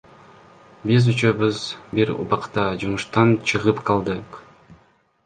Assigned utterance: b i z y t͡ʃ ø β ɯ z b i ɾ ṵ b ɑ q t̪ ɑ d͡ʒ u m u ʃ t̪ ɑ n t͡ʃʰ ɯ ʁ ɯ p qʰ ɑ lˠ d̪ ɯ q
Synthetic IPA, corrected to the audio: b i z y t͡ʃ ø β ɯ z b i ɾ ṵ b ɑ q t̪ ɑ d͡ʒ u m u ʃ t̪ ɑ n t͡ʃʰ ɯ ʁ ɯ p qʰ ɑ lˠ d̪ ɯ q